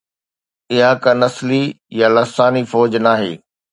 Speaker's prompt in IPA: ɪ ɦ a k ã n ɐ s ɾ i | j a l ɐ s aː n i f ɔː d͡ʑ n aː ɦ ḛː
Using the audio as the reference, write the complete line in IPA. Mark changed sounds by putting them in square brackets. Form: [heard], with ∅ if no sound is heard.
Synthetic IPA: ɪ ɦ a k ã n ɐ s [l] i | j a l ɐ s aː n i f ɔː d͡ʑ n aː ɦ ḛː